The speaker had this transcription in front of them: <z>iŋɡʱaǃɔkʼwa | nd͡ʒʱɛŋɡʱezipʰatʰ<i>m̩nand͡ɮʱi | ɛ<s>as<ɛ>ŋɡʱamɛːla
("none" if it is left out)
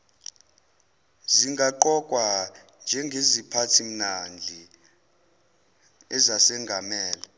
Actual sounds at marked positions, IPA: z, i, z, ɛ

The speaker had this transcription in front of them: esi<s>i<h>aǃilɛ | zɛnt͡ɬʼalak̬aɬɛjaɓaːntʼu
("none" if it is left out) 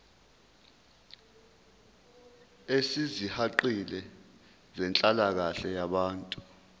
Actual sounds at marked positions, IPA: z, h

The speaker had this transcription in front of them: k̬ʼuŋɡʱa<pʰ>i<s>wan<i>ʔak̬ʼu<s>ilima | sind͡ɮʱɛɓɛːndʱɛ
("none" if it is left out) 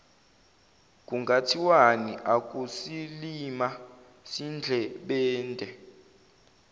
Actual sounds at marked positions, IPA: tʰ, none, i, s

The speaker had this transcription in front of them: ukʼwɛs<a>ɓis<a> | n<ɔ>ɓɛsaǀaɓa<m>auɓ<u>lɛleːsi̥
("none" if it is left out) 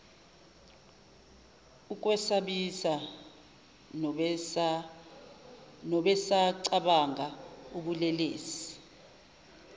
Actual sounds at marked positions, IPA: a, a, ɔ, ŋ, u

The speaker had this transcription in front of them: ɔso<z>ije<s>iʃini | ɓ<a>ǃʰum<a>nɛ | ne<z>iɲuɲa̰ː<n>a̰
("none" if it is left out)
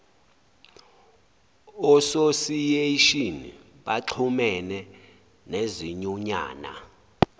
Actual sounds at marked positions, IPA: s, none, a, ɛ, z, n

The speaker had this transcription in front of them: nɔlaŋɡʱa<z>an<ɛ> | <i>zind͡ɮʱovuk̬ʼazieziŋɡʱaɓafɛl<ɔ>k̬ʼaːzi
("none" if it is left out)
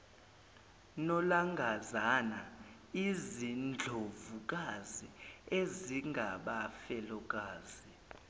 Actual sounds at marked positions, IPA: z, a, i, ɔ

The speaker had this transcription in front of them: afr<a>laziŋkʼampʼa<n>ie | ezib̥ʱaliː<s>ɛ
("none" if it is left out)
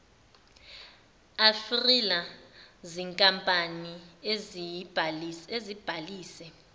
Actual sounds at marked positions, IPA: i, n, s

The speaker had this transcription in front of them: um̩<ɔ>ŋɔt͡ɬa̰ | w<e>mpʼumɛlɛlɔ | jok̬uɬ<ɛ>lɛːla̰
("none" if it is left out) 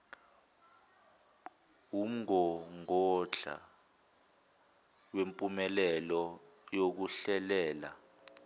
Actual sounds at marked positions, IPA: ɔ, e, ɛ

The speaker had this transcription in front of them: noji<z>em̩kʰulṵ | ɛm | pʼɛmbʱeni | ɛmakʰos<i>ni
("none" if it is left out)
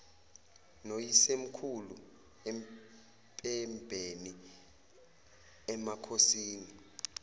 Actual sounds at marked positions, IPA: s, iː

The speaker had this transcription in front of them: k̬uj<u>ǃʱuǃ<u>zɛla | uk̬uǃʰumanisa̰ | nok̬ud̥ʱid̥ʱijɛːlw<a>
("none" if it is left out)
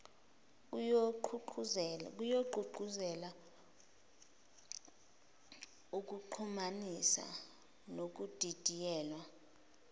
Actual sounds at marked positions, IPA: o, u, a

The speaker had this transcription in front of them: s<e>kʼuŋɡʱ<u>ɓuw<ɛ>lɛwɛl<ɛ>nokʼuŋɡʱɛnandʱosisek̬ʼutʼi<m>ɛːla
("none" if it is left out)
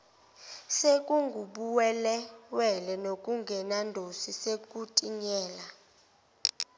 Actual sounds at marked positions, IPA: e, u, ɛ, ɛ, ɲ

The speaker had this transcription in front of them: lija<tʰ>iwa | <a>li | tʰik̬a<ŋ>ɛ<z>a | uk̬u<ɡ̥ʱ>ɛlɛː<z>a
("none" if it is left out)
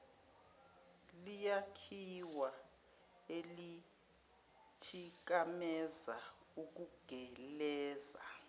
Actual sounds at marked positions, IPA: kʰ, e, m, z, ɡ̥ʱ, z

